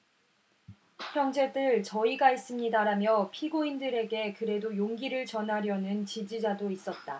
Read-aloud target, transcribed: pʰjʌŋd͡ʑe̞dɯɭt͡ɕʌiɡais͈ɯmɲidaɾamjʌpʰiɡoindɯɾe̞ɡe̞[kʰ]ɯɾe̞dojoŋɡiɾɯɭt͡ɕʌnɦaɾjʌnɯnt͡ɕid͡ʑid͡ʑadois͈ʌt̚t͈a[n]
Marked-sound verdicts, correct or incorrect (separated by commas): incorrect, incorrect